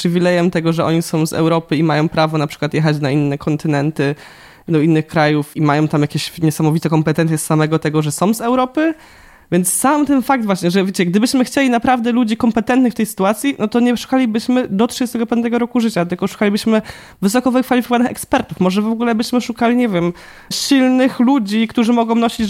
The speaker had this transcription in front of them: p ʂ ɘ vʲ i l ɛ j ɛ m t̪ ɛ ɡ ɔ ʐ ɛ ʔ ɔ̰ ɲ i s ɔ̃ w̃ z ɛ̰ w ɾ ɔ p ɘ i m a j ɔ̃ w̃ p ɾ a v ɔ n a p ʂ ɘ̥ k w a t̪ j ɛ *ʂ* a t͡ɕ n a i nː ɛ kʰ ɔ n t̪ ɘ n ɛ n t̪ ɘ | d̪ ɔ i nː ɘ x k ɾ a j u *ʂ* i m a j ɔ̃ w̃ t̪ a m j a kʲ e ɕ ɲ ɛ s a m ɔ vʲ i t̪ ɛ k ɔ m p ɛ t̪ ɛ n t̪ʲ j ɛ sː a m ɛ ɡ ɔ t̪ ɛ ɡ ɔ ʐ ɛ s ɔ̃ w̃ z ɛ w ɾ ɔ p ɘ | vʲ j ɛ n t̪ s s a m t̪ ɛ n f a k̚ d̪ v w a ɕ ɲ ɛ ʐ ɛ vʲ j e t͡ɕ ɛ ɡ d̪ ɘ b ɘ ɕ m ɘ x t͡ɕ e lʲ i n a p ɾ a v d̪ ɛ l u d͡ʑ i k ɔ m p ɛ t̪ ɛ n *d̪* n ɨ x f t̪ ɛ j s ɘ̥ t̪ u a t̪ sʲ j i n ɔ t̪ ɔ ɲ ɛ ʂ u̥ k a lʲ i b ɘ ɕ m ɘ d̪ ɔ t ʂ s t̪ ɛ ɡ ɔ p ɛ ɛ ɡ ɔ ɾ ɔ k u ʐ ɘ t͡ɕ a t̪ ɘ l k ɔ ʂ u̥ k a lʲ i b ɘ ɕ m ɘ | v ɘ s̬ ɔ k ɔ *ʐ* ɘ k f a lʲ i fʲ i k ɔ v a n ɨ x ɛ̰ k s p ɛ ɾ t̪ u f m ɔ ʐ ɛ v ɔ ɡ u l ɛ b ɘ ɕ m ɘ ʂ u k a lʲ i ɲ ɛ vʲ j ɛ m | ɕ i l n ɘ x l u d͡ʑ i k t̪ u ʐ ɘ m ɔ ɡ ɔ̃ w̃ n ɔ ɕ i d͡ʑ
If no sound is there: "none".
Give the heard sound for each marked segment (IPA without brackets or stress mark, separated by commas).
x, f, t̪, v